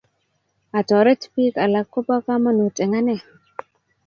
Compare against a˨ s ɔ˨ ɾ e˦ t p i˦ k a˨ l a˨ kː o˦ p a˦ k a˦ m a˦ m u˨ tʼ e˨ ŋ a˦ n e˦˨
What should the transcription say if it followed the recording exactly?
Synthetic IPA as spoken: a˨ t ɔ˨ ɾ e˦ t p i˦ k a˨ l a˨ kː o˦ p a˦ k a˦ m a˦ n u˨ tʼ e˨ ŋ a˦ n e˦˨